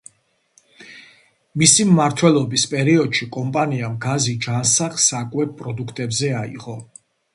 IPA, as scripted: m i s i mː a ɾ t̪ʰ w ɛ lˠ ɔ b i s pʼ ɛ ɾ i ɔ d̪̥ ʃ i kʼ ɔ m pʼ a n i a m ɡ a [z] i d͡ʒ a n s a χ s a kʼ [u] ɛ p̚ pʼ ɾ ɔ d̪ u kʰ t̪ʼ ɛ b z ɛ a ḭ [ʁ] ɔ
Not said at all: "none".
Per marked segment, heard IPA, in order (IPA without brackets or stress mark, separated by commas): z, w, ʁ